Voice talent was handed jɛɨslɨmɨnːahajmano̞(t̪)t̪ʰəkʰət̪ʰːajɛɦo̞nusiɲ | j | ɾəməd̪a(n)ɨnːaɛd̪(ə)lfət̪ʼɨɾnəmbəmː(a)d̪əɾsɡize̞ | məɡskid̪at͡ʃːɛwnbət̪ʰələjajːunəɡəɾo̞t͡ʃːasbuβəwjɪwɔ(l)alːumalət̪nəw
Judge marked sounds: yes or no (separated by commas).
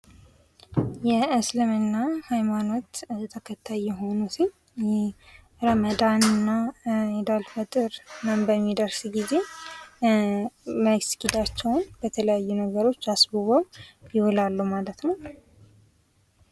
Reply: yes, yes, no, no, yes